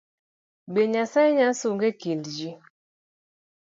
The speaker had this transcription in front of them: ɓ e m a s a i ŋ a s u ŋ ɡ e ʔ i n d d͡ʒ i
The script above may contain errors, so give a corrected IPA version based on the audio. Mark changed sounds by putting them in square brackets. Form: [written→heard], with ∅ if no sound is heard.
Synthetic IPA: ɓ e [m→ɲ] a s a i [ŋ→ɲ] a s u ŋ ɡ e [ʔ→k] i n d d͡ʒ i